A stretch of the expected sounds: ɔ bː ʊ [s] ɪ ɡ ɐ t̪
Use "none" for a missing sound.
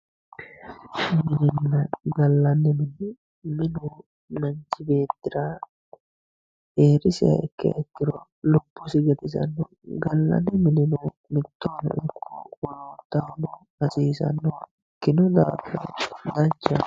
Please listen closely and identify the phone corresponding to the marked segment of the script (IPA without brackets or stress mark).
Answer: s